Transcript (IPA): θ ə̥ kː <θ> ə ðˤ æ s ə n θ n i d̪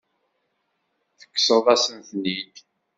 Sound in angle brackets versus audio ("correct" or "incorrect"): incorrect